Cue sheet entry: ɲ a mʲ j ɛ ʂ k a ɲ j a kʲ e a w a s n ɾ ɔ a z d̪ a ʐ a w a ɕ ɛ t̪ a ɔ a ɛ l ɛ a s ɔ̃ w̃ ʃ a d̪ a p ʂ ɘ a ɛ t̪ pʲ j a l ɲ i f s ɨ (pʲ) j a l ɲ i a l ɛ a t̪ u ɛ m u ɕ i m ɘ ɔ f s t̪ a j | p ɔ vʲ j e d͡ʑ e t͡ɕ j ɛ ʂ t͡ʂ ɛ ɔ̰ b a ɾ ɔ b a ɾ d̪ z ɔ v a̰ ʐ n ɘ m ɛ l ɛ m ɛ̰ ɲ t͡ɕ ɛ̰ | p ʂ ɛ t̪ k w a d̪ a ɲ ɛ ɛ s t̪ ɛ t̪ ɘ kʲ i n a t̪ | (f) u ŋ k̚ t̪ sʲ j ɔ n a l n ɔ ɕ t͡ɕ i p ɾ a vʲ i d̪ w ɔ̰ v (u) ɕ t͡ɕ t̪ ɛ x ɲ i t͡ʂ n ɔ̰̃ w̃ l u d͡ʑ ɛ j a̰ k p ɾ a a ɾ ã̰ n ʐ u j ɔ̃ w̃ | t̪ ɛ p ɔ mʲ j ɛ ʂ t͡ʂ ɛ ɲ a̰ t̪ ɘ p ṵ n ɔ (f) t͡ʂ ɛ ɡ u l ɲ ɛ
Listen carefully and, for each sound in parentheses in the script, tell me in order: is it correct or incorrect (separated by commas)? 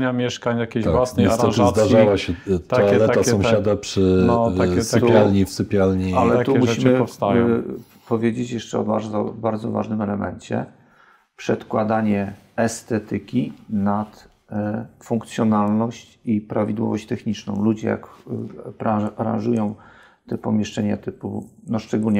correct, correct, incorrect, incorrect